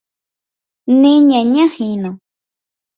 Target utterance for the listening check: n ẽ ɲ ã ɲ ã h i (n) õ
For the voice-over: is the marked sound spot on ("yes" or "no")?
yes